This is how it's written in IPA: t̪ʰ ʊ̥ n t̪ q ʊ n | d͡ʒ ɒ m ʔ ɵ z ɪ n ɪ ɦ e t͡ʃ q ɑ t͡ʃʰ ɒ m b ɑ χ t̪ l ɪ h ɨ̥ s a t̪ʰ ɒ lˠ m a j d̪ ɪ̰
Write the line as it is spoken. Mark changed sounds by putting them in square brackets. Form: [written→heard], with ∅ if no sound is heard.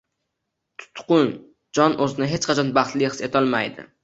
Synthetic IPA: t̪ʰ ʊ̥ [n→∅] t̪ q ʊ n | d͡ʒ ɒ [m→n] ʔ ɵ z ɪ n ɪ ɦ e t͡ʃ q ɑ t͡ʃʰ ɒ [m→n] b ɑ χ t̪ l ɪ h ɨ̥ s [a→e] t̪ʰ ɒ lˠ m a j d̪ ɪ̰